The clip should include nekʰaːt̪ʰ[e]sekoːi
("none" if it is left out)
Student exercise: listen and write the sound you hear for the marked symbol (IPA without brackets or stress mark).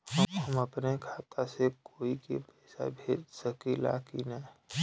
a